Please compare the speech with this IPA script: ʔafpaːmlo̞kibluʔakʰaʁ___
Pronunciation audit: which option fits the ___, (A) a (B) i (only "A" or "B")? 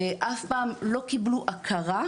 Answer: A